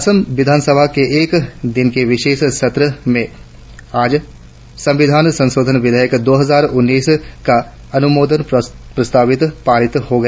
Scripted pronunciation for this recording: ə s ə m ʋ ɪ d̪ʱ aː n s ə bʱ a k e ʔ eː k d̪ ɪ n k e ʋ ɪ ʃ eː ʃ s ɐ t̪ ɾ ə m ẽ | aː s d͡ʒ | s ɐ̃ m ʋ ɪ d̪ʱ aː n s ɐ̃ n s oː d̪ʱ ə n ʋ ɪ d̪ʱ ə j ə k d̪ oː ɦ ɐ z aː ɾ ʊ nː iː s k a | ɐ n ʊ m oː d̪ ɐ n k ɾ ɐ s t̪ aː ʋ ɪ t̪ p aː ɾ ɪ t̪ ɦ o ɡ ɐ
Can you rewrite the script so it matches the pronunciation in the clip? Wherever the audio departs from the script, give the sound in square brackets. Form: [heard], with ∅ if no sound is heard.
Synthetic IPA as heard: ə s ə m ʋ ɪ d̪ʱ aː n s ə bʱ a k e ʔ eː k d̪ ɪ n k e ʋ ɪ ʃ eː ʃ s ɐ t̪ ɾ ə m ẽ | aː [∅] d͡ʒ | s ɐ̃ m ʋ ɪ d̪ʱ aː n s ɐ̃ n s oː d̪ʱ ə n ʋ ɪ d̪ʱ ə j ə k d̪ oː ɦ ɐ z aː ɾ ʊ nː iː s k a | ɐ n ʊ m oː d̪ [ə] n [p] ɾ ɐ s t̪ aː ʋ ɪ t̪ p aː ɾ ɪ t̪ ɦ o ɡ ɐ

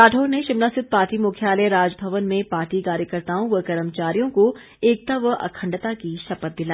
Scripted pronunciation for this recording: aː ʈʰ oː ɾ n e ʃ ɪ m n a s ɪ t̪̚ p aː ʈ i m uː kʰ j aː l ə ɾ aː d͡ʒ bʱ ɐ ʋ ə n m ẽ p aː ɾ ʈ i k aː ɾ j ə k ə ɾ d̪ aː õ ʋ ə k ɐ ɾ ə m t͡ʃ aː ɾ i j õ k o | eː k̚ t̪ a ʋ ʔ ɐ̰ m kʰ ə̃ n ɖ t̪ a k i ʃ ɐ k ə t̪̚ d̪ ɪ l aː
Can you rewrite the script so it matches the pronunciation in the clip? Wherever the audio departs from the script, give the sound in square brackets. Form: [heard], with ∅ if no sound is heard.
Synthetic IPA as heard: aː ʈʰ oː ɾ n e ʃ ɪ m n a s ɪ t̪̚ p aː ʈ i m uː kʰ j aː l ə ɾ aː d͡ʒ bʱ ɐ ʋ ə n m ẽ p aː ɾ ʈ i k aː ɾ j ə k ə ɾ [t̪] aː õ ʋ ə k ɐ ɾ ə m t͡ʃ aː ɾ i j õ k o | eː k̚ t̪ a ʋ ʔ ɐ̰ [∅] kʰ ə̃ [ɳ] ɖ t̪ a k i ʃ ɐ [p] ə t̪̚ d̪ ɪ l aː

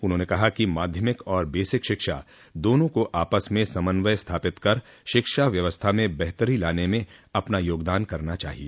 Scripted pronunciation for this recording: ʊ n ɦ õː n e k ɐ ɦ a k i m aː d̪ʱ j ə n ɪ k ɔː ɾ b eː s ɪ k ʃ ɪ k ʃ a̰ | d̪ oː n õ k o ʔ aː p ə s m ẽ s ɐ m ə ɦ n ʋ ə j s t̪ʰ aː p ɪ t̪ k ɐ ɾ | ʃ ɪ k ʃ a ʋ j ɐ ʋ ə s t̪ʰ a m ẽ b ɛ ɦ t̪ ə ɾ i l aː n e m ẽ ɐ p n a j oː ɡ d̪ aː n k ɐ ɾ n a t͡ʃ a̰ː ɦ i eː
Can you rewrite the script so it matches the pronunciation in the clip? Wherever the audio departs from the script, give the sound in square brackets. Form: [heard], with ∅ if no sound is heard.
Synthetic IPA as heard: ʊ n ɦ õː n e k ɐ ɦ a k i m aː d̪ʱ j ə [m] ɪ k ɔː ɾ b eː s ɪ k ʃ ɪ k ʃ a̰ | d̪ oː n õ k o ʔ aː p ə s m ẽ s ɐ m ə [∅] n ʋ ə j s t̪ʰ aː p ɪ t̪ k ɐ ɾ | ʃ ɪ k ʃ a ʋ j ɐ ʋ ə s t̪ʰ a m ẽ b ɛ ɦ t̪ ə ɾ i l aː n e m ẽ ɐ p n a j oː ɡ d̪ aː n k ɐ ɾ n a t͡ʃ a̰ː ɦ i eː

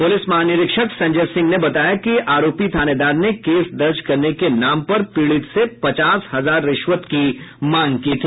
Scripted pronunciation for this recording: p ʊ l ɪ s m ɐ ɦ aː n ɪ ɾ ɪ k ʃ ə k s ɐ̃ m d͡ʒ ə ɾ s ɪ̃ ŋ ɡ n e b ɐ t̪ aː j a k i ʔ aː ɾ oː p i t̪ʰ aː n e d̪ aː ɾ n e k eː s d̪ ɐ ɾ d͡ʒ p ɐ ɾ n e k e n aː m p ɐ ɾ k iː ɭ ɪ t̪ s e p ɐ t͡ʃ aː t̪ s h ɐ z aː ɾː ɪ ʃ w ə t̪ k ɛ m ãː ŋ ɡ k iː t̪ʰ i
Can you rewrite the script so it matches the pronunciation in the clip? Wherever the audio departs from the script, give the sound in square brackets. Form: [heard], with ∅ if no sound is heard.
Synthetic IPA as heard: p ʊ l ɪ s m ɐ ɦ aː n ɪ ɾ ɪ k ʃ ə k s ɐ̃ [ɲ] d͡ʒ ə ɾ s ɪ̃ ŋ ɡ n e b ɐ t̪ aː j a k i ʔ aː ɾ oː p i t̪ʰ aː n e d̪ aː ɾ n e k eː s d̪ ɐ ɾ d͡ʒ [k] ɐ ɾ n e k e n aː m p ɐ ɾ [p] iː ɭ ɪ t̪ s e p ɐ t͡ʃ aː [∅] s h ɐ z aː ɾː ɪ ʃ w ə t̪ k [i] m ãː ŋ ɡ k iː t̪ʰ i

